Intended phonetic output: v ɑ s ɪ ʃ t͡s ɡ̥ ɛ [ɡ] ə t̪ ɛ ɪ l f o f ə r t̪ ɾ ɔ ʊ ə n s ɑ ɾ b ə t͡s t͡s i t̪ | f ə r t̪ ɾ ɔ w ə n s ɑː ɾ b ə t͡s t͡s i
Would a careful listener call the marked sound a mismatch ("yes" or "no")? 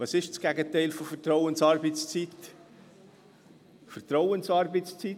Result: no